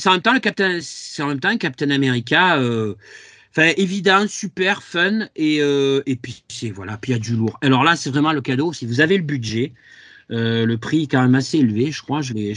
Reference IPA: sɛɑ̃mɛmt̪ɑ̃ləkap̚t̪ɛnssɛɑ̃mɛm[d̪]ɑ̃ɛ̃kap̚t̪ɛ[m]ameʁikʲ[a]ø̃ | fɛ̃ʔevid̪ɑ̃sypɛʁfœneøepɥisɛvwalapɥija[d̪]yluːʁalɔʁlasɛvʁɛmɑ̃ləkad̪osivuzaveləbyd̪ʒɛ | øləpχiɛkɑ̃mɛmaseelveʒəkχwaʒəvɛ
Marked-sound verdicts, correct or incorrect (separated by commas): incorrect, incorrect, correct, correct